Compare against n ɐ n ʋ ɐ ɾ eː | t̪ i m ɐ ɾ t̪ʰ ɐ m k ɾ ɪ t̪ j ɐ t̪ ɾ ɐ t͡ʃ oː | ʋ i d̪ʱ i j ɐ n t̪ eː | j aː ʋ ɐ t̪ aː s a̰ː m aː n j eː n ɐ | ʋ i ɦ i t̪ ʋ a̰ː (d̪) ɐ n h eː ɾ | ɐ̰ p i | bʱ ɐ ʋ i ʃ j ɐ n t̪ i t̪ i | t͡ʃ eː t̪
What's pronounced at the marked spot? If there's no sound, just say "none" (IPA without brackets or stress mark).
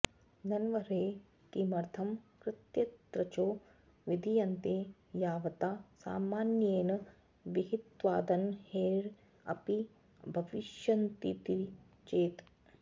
d̪